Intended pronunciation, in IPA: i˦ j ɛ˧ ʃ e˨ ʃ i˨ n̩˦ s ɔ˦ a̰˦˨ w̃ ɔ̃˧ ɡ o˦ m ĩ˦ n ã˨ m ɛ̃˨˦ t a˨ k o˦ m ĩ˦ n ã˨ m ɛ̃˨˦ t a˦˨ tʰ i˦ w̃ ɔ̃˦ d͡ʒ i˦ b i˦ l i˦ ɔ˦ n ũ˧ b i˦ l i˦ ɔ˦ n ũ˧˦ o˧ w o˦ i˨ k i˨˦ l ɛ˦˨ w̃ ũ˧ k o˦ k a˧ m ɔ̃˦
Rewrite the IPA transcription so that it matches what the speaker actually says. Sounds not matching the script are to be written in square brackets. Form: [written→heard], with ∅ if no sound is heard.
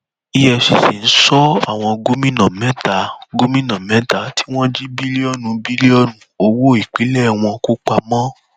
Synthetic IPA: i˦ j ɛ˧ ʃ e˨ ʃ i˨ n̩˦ s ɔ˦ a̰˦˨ w̃ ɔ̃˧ ɡ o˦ m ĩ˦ n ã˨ m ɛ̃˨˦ t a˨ [k→ɡ] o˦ m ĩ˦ n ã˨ m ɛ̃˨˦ t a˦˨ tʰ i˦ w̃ ɔ̃˦ d͡ʒ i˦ b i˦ l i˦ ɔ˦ n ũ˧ b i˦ l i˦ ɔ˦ n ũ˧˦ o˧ w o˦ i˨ [k→k͡p] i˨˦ l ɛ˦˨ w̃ [ũ˧→ɔ̃˧] k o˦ [k→k͡p] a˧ m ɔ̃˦